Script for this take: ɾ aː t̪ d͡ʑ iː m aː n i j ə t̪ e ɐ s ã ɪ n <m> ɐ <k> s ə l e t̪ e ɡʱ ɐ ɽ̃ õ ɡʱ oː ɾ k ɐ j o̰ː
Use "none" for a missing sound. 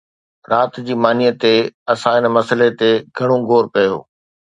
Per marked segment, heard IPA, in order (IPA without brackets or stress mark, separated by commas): m, none